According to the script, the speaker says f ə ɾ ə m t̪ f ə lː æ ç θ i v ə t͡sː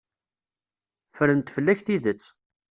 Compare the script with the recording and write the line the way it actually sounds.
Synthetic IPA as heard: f ə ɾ ə n t̪ f ə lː æ ç θ i ð ə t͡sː